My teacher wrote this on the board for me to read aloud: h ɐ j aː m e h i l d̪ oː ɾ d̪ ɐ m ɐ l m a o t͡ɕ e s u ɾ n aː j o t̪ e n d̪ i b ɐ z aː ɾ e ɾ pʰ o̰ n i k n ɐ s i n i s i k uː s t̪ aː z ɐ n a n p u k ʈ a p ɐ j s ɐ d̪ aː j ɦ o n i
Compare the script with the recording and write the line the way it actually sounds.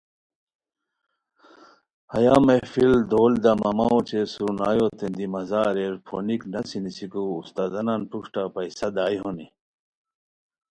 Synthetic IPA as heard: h ɐ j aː m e f i l d̪ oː l d̪ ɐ m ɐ m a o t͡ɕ e s u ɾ n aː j o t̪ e n d̪ i m ɐ z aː ɾ e ɾ pʰ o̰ n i k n ɐ s i n i s i k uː s t̪ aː z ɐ n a n p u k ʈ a p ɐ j s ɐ d̪ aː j ɦ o n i